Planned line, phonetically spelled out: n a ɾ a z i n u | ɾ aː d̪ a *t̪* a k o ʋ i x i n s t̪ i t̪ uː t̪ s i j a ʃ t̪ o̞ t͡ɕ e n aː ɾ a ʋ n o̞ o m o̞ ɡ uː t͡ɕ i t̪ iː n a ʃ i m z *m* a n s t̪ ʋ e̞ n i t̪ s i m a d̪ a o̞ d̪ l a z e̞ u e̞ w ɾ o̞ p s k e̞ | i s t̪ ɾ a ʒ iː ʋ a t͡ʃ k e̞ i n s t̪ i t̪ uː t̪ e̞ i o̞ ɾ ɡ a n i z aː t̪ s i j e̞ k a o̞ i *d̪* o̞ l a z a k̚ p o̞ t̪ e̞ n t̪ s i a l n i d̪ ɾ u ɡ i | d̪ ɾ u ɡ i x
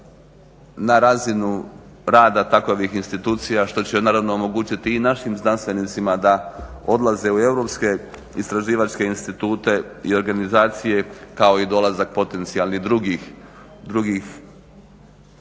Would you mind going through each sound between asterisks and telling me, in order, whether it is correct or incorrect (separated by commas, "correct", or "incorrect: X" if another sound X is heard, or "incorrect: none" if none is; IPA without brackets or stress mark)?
correct, incorrect: n, correct